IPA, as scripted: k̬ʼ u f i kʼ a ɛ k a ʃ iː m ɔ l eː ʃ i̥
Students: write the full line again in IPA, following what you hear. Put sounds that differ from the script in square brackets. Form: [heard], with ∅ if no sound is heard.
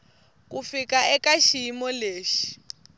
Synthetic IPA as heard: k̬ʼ u f i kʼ a ɛ k a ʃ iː m ɔ l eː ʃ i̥